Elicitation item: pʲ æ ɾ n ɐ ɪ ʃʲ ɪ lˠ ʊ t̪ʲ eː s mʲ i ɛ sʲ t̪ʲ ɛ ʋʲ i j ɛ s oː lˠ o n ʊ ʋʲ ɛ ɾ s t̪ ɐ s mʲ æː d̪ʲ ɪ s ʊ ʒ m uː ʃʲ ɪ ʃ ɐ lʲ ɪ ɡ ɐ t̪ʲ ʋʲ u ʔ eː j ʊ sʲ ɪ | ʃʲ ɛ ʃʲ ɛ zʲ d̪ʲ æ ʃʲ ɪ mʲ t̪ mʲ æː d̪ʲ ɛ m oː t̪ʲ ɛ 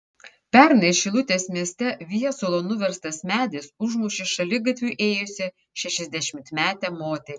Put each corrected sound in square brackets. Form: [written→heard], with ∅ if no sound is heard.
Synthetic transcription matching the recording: pʲ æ ɾ n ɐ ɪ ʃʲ ɪ lˠ ʊ t̪ʲ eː s mʲ i ɛ sʲ t̪ʲ ɛ ʋʲ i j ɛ s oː lˠ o n ʊ ʋʲ ɛ ɾ s t̪ ɐ s mʲ æː d̪ʲ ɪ s ʊ ʒ m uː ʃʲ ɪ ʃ ɐ lʲ ɪ ɡ ɐ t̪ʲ ʋʲ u ʔ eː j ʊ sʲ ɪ | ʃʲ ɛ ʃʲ ɛ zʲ d̪ʲ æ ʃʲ ɪ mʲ t̪ mʲ æː [d̪ʲ→t̪ʲ] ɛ m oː t̪ʲ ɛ